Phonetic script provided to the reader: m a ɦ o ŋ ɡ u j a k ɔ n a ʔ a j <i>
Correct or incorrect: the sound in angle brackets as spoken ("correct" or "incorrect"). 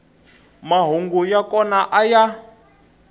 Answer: incorrect